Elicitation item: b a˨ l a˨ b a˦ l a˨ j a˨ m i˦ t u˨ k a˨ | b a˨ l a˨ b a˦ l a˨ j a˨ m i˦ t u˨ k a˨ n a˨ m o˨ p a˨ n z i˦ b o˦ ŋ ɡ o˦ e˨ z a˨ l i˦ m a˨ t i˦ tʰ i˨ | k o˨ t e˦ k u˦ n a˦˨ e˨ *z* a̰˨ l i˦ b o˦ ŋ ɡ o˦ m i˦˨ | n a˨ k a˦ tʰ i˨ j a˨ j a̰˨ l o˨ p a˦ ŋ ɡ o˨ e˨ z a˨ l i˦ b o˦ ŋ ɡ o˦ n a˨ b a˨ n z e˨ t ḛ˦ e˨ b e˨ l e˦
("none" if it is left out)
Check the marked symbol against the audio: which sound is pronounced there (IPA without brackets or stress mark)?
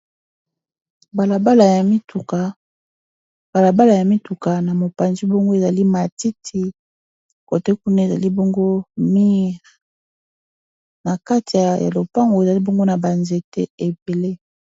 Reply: z